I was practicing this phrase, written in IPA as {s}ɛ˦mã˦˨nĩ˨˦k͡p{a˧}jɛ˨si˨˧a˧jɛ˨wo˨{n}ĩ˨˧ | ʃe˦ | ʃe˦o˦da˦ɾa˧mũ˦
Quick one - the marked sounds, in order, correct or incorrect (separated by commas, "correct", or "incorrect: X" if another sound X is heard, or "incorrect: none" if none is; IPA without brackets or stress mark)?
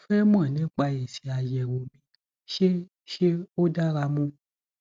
incorrect: f, correct, incorrect: m